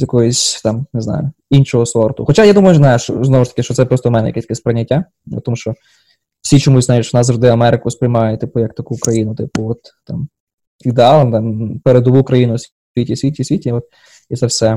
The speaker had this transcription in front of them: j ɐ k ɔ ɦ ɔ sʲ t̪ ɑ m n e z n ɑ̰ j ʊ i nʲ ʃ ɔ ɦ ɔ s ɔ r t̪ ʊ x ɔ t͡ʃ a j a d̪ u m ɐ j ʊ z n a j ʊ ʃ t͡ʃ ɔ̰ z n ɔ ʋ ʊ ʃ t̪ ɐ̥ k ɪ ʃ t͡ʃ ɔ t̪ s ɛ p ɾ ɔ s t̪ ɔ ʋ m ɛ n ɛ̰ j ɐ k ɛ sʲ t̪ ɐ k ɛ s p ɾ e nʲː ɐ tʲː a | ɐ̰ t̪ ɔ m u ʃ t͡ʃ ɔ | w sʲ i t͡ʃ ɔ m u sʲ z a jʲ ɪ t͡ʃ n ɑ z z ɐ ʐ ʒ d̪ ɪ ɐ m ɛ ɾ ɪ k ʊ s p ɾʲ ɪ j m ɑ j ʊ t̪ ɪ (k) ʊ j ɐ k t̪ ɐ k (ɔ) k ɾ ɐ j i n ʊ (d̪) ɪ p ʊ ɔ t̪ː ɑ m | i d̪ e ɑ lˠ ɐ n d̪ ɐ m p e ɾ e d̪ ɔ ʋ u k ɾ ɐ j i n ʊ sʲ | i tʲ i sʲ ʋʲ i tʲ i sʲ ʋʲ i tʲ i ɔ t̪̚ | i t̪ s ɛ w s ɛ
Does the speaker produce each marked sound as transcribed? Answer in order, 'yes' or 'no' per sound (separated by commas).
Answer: no, no, no